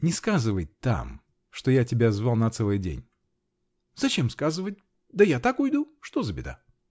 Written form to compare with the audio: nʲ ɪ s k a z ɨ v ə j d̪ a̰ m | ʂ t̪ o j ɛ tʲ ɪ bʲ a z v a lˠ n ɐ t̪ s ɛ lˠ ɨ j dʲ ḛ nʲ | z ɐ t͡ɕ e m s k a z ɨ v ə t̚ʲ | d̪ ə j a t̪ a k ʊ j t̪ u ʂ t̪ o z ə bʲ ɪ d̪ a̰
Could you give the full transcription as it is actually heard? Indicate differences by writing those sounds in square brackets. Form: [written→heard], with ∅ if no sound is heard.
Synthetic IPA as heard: nʲ ɪ s k a z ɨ v ə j [d̪→t̪] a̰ m | ʂ t̪ o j [ɛ→a] tʲ ɪ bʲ a z v a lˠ n ɐ t̪ s ɛ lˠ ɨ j dʲ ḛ nʲ | z ɐ t͡ɕ e m s k a z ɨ v ə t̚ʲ | d̪ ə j a t̪ a k ʊ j [t̪→d̪] u ʂ t̪ o z ə bʲ ɪ d̪ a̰